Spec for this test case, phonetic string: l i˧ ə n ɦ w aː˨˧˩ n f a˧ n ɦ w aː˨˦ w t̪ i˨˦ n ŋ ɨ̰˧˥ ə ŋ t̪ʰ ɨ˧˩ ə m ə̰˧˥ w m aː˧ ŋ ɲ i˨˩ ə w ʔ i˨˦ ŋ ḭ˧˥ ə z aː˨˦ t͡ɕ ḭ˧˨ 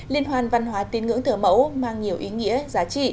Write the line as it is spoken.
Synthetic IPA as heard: l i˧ ə n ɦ w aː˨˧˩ n v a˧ n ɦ w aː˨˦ t̪ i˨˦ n ŋ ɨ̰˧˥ ə ŋ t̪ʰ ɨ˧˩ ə m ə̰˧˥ w m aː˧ ŋ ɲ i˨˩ ə w ʔ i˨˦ ŋ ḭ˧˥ ə z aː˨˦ t͡ɕ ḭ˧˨